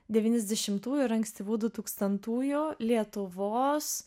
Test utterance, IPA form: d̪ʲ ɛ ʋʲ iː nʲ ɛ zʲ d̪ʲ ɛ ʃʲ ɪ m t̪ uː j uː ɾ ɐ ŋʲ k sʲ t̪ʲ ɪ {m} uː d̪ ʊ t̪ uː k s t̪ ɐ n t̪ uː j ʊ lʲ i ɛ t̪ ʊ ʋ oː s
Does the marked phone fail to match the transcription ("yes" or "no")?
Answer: yes